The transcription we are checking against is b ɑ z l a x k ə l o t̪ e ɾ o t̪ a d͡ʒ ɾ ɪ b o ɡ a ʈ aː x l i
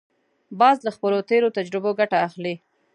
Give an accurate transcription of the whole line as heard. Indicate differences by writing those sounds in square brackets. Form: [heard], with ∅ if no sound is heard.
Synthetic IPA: b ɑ z l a x [p] ə l o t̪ e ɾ o t̪ a d͡ʒ ɾ ɪ b o ɡ a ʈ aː x l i